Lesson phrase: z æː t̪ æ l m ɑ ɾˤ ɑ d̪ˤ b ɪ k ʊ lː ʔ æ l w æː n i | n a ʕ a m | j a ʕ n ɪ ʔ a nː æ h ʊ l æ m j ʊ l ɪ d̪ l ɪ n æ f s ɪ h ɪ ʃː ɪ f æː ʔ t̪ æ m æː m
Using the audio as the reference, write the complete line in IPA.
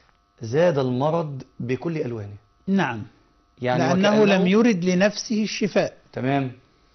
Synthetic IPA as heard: z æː d̪ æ l m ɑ ɾˤ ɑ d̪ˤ b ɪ k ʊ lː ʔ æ l w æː n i | n a ʕ a m | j a ʕ n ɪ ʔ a nː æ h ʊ l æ m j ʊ ɾ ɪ d̪ l ɪ n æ f s ɪ h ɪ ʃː ɪ f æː ʔ t̪ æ m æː m